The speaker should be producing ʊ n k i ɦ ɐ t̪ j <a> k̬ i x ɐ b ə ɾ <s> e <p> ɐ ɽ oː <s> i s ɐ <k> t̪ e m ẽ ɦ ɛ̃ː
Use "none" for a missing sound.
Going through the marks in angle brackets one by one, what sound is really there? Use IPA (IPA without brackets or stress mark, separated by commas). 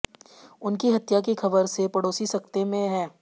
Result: a, s, p, s, k